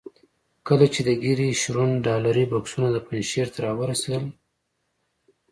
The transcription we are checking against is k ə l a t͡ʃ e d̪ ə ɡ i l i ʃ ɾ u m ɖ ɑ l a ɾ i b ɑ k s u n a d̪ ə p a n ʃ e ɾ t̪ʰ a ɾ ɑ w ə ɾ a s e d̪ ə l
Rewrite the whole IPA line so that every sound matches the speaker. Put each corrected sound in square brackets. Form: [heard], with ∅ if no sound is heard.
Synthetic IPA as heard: k ə l a t͡ʃ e d̪ ə ɡ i [ɾ] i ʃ ɾ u [n] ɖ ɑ l a ɾ i b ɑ k s u n a d̪ ə p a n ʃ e ɾ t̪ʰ a ɾ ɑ w ə ɾ a s e d̪ ə l